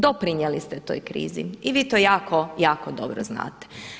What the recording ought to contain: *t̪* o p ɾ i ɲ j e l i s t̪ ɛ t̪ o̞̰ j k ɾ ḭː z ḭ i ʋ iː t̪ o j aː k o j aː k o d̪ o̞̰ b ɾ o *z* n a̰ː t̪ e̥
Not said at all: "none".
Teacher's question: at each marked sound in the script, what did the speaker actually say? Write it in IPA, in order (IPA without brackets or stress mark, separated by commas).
d̪, z